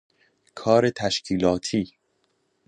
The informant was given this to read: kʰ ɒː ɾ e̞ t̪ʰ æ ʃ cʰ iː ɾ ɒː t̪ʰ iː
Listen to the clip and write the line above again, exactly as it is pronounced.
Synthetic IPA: kʰ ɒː ɾ e̞ t̪ʰ æ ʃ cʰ iː l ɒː t̪ʰ iː